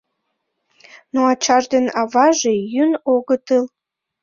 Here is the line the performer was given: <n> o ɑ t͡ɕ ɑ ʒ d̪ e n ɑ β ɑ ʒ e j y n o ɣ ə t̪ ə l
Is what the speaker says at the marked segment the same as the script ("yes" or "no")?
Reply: yes